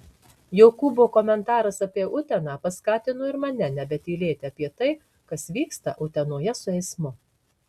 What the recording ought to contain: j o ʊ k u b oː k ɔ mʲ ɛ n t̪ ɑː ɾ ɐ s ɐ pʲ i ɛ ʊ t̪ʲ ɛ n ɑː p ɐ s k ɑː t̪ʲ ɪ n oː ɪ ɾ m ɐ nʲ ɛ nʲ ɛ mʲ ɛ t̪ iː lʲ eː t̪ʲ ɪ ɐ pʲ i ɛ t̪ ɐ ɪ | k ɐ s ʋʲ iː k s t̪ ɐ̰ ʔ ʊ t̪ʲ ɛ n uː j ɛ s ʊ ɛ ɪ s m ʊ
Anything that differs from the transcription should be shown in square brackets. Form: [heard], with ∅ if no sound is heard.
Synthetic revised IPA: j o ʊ k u b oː k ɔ mʲ ɛ n t̪ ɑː ɾ ɐ s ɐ pʲ i ɛ ʊ t̪ʲ ɛ n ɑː p ɐ s k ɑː t̪ʲ ɪ n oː ɪ ɾ m ɐ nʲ ɛ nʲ ɛ [bʲ] ɛ t̪ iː lʲ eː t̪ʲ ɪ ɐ pʲ i ɛ t̪ ɐ ɪ | k ɐ s ʋʲ iː k s t̪ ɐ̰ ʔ ʊ t̪ʲ ɛ n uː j ɛ s ʊ ɛ ɪ s m ʊ

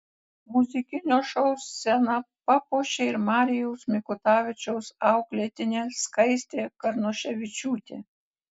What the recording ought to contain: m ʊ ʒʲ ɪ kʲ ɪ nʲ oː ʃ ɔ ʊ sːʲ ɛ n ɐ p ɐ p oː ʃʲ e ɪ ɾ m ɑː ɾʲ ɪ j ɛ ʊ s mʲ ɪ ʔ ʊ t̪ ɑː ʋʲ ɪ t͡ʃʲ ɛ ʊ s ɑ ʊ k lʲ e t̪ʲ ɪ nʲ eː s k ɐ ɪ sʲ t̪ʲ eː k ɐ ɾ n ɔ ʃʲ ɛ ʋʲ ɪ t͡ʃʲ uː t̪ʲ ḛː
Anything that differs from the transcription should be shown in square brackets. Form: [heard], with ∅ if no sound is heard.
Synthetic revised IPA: m ʊ [zʲ] ɪ kʲ ɪ nʲ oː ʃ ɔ ʊ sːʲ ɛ n ɐ p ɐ p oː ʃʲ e ɪ ɾ m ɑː ɾʲ ɪ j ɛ ʊ s mʲ ɪ [k] ʊ t̪ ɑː ʋʲ ɪ t͡ʃʲ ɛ ʊ s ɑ ʊ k lʲ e t̪ʲ ɪ nʲ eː s k ɐ ɪ sʲ t̪ʲ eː k ɐ ɾ n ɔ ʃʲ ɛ ʋʲ ɪ t͡ʃʲ uː t̪ʲ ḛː

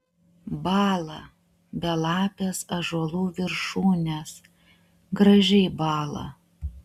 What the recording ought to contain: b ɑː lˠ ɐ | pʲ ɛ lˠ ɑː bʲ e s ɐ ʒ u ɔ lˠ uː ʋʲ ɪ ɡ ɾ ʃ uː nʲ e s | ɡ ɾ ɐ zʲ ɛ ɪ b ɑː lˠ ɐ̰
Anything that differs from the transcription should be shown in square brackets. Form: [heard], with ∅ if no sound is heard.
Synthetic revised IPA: b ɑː lˠ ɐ | [bʲ] ɛ lˠ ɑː [pʲ] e s ɐ ʒ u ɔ lˠ uː ʋʲ ɪ [∅] ɾ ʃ uː nʲ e s | ɡ ɾ ɐ [ʒʲ] ɛ ɪ b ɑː lˠ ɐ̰

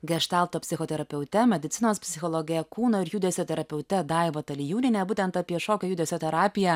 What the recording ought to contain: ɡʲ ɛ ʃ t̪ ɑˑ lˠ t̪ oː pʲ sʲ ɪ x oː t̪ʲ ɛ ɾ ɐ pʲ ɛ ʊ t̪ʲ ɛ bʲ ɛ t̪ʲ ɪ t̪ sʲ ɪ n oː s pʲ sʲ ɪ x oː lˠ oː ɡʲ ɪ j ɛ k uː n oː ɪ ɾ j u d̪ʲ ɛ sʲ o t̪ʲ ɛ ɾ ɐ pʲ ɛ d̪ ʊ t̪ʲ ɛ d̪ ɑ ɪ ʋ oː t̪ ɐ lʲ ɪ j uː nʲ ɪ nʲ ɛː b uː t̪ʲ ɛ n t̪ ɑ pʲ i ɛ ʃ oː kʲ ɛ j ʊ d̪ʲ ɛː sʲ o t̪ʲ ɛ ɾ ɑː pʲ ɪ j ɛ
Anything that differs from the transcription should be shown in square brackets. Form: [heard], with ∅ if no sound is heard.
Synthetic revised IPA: ɡʲ ɛ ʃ t̪ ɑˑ lˠ t̪ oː pʲ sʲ ɪ x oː t̪ʲ ɛ ɾ ɐ pʲ ɛ ʊ t̪ʲ ɛ [mʲ] ɛ [d̪ʲ] ɪ t̪ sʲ ɪ n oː s pʲ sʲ ɪ x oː lˠ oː ɡʲ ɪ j ɛ k uː n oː ɪ ɾ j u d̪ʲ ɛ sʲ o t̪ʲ ɛ ɾ ɐ pʲ ɛ [∅] ʊ t̪ʲ ɛ d̪ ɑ ɪ ʋ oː t̪ ɐ lʲ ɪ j uː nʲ ɪ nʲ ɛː b uː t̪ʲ ɛ n t̪ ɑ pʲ i ɛ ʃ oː kʲ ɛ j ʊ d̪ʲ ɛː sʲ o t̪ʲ ɛ ɾ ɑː pʲ ɪ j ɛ

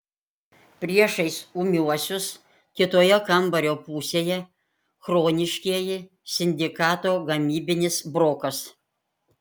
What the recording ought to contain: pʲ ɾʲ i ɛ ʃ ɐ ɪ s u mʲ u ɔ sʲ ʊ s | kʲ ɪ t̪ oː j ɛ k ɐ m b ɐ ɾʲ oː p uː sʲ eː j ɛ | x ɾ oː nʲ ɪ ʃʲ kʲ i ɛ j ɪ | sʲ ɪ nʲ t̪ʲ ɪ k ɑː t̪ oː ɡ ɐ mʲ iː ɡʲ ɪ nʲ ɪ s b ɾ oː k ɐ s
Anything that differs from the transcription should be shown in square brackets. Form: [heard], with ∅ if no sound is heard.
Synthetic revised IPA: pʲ ɾʲ i ɛ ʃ ɐ ɪ s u mʲ u ɔ sʲ ʊ s | kʲ ɪ t̪ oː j ɛ k ɐ m b ɐ ɾʲ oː p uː sʲ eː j ɛ | x ɾ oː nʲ ɪ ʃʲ kʲ i ɛ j ɪ | sʲ ɪ nʲ [d̪ʲ] ɪ k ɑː t̪ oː ɡ ɐ mʲ iː [bʲ] ɪ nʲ ɪ s b ɾ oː k ɐ s

